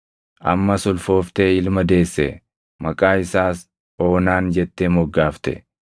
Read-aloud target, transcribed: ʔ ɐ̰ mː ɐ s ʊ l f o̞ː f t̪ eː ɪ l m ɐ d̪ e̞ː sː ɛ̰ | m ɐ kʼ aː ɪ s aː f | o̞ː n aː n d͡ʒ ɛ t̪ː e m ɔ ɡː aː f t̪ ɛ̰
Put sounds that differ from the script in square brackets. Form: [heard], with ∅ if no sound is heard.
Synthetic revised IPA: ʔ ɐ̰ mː ɐ s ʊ l f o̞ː f t̪ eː ɪ l m ɐ d̪ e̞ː sː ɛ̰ | m ɐ kʼ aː ɪ s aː [s] | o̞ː n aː n d͡ʒ ɛ t̪ː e m ɔ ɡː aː f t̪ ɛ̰